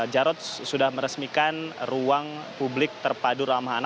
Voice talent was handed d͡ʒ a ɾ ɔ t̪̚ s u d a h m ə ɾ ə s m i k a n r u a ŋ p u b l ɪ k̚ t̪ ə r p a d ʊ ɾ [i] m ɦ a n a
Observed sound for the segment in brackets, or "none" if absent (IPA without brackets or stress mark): a